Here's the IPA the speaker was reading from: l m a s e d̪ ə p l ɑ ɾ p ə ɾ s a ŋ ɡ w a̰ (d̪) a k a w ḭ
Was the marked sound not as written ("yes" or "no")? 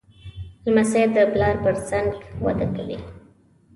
no